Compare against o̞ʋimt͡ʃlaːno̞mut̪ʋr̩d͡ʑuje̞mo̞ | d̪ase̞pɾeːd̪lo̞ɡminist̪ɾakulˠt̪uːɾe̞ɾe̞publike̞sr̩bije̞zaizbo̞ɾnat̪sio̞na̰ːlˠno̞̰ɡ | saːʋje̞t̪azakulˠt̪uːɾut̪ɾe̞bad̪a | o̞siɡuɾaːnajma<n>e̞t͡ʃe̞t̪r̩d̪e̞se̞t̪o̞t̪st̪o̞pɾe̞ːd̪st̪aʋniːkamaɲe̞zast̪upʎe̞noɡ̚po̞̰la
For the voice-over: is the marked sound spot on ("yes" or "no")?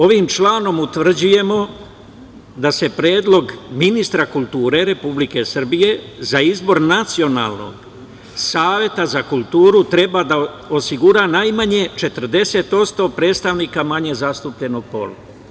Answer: no